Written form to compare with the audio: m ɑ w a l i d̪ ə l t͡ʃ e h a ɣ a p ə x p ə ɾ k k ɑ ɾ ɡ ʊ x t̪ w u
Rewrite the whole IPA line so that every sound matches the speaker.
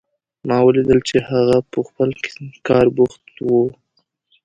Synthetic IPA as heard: m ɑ w ə l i d̪ ə l t͡ʃ e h a ɣ a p ə x p ə l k k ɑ ɾ b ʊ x t̪ w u